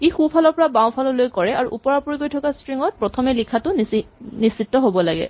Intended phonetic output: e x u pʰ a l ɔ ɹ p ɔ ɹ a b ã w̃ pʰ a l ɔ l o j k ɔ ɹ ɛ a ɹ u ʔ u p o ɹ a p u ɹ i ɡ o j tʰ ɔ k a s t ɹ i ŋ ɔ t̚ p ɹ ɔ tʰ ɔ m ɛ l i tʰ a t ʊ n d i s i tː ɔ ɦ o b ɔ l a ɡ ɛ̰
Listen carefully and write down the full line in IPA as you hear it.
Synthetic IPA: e x u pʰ a l ɔ ɹ p ɔ ɹ a b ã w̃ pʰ a l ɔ l o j k ɔ ɹ ɛ a ɹ u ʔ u p ɔ ɹ a p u ɹ i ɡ o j tʰ ɔ k a s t ɹ i ŋ ɔ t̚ p ɹ ɔ tʰ ɔ m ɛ l i kʰ a t ʊ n n i s i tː ɔ ɦ o b ɔ l a ɡ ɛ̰